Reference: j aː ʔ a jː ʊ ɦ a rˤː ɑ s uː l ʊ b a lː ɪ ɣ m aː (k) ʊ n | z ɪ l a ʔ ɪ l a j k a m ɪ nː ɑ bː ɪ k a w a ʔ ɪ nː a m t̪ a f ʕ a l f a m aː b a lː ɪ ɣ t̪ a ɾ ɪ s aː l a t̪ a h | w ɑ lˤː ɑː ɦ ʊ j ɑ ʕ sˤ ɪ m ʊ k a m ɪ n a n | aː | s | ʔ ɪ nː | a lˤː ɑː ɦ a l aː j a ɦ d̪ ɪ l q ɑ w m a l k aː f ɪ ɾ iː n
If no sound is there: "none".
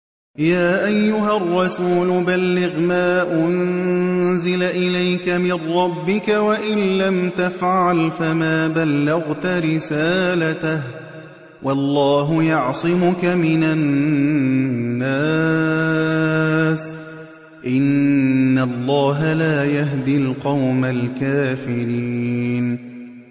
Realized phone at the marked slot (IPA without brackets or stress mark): ʔ